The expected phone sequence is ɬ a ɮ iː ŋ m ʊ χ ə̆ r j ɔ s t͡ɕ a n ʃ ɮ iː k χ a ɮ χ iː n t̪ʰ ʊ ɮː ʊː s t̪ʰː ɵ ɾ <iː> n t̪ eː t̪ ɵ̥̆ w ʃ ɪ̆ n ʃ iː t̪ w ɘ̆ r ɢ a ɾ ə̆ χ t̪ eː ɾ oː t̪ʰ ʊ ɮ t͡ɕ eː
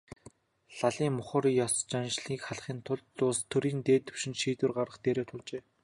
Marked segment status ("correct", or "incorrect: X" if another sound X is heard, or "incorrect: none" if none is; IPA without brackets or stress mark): correct